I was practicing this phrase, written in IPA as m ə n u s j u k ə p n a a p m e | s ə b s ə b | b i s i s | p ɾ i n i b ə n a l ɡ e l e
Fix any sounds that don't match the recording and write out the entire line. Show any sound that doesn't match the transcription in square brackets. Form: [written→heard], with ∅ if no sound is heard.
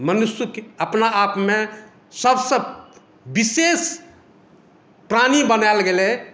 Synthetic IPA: m ə n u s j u k ə p n a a p m e | s ə b s ə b | b i s [i→e] s | p ɾ [i→a] n i b ə n a l ɡ e l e

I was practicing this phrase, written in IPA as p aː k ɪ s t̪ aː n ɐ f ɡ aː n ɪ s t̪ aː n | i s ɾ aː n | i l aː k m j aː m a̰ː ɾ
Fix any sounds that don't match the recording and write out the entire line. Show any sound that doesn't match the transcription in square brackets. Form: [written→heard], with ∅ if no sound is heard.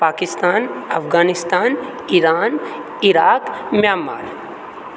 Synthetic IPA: p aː k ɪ s t̪ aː n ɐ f ɡ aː n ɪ s t̪ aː n | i [s→∅] ɾ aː n | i [l→ɾ] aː k m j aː m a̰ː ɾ

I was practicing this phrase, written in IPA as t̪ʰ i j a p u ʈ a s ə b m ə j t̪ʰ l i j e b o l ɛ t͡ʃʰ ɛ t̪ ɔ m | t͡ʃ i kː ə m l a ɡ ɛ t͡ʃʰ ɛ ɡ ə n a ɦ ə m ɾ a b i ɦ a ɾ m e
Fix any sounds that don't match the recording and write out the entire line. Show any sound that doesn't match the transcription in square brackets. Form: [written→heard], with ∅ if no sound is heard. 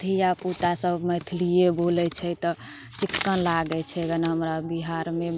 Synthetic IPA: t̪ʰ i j a p u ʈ a s ə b m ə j t̪ʰ l i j e b o l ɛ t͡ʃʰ ɛ t̪ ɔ [m→∅] | t͡ʃ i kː ə [m→n] l a ɡ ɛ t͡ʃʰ ɛ ɡ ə n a ɦ ə m ɾ a b i ɦ a ɾ m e

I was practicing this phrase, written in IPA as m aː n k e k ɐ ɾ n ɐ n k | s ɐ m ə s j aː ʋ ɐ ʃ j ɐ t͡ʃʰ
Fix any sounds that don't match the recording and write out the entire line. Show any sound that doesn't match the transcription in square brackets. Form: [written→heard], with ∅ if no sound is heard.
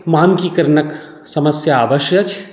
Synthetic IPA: m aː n k [e→i] k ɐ ɾ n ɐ [n→∅] k | s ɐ m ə s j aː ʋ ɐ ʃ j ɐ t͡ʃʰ

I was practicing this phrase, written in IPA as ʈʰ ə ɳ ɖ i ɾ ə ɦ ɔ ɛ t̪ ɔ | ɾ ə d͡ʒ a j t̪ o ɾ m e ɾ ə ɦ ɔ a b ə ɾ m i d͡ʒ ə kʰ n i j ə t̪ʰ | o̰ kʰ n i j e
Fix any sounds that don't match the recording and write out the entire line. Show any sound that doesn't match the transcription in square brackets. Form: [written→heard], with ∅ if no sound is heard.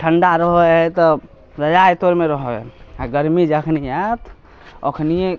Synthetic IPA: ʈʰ ə ɳ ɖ [i→a] ɾ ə ɦ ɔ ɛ t̪ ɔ | ɾ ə d͡ʒ a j t̪ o ɾ m e ɾ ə ɦ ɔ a [b→ɡ] ə ɾ m i d͡ʒ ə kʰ n i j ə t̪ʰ | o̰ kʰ n i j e

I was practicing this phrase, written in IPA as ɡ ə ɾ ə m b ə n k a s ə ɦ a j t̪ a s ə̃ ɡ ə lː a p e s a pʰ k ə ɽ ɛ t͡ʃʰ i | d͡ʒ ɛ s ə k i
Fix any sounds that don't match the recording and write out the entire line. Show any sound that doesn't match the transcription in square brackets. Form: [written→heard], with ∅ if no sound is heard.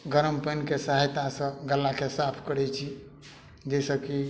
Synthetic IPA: ɡ ə ɾ ə m [b→p] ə n k [a→e] s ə ɦ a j t̪ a s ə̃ ɡ ə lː a [p→k] e s a pʰ k ə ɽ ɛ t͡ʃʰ i | d͡ʒ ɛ s ə k i

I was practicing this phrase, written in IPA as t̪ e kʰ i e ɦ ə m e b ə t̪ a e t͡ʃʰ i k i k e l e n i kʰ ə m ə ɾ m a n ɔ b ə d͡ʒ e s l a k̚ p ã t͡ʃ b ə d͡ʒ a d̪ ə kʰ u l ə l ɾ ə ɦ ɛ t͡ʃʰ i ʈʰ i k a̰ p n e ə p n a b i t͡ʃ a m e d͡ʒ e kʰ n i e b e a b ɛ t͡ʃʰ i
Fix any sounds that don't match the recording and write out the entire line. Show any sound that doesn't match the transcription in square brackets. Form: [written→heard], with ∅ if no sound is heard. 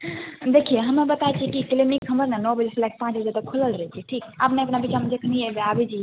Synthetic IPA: [t̪→d̪] e kʰ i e ɦ ə m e b ə t̪ a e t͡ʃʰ i k i k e l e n i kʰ ə m ə ɾ [m→n] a n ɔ b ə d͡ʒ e s l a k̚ p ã t͡ʃ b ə d͡ʒ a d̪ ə kʰ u l ə l ɾ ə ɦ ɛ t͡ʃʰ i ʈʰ i k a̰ p n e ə p n a b i t͡ʃ a m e d͡ʒ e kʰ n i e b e a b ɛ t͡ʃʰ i

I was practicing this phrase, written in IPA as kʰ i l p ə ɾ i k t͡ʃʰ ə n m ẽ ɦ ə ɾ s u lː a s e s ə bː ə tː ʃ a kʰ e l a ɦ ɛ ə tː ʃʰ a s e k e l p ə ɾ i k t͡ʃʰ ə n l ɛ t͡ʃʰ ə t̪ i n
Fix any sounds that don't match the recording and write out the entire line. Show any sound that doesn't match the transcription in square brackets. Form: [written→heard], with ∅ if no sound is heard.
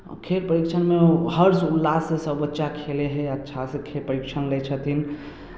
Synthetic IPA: kʰ [i→e] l p ə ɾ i k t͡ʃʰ ə n m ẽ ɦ ə ɾ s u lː a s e s ə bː ə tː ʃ a kʰ e l [a→e] ɦ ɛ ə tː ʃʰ a s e [k→kʰ] e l p ə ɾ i k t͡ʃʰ ə n l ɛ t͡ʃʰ ə t̪ i n

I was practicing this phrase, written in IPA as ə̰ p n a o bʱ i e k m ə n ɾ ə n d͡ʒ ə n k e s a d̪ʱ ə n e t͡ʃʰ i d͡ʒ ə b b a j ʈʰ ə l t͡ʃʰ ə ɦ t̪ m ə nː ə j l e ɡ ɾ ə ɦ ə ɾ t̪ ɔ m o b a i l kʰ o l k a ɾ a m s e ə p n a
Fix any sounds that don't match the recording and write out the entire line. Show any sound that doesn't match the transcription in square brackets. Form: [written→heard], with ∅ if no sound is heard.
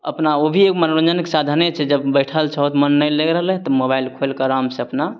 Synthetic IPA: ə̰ p n a o bʱ i e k m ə n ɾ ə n d͡ʒ ə n k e s a d̪ʱ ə n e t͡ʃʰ [i→ɛ] d͡ʒ ə b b [a→ə] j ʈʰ ə l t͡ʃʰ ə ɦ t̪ m ə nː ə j l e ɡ ɾ ə ɦ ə [ɾ→l] t̪ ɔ m o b a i l kʰ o l k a ɾ a m s e ə p n a

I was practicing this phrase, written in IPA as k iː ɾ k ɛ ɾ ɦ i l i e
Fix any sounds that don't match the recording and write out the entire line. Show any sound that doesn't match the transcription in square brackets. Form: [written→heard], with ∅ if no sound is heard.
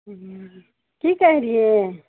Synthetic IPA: k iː [ɾ→∅] k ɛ [ɾ→∅] ɦ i [l→ɾ] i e

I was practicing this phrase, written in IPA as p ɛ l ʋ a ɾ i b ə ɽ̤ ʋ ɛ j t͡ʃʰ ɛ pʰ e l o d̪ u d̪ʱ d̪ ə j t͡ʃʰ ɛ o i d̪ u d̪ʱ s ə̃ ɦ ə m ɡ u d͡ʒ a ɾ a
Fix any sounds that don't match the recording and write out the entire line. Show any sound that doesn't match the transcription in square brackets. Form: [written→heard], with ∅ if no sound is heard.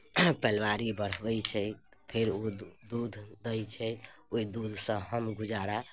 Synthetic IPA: p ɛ l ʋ a ɾ i b ə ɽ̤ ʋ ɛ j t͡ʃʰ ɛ pʰ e [l→ɾ] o d̪ u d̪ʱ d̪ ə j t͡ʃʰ ɛ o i d̪ u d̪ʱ s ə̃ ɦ ə m ɡ u d͡ʒ a ɾ a

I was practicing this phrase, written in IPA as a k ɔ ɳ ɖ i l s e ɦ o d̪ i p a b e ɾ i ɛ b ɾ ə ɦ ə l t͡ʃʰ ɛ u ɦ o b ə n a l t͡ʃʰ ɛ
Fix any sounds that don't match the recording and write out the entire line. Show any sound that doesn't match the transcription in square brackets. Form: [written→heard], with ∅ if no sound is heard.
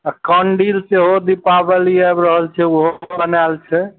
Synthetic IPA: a k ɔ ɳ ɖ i l s e ɦ o d̪ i p a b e [ɾ→l] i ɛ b ɾ ə ɦ ə l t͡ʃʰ ɛ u ɦ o b ə n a l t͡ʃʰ ɛ

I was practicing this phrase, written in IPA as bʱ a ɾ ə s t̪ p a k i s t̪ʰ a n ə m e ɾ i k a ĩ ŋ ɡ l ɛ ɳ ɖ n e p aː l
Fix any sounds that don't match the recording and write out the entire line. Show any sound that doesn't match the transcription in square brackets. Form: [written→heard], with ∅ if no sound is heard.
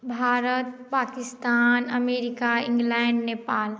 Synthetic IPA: bʱ a ɾ ə [s→∅] t̪ p a k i s [t̪ʰ→t̪] a n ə m e ɾ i k a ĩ ŋ ɡ l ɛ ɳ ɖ n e p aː l

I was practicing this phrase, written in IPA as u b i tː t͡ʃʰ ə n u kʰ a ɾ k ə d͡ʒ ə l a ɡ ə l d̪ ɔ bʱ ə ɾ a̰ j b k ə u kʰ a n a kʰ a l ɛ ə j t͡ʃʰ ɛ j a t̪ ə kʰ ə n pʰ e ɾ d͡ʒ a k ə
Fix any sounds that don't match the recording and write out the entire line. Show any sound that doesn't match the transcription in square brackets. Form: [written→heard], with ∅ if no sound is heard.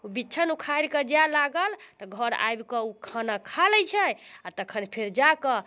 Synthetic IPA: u b i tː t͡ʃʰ ə n u kʰ a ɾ k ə d͡ʒ [ə→a] l a ɡ ə l [d̪→t̪] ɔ [bʱ→ɡʱ] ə ɾ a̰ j b k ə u kʰ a n a kʰ a l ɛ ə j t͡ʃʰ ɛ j a t̪ ə kʰ ə n pʰ e ɾ d͡ʒ a k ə

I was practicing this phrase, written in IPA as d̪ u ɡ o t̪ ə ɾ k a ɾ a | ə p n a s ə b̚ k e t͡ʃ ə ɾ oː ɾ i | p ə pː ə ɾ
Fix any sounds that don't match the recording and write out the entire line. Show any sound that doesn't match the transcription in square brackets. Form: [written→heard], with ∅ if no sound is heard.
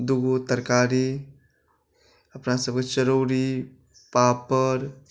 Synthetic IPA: d̪ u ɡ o t̪ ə ɾ k a ɾ [a→i] | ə p n a s ə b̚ k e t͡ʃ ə ɾ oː ɾ i | p [ə→a] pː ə ɾ

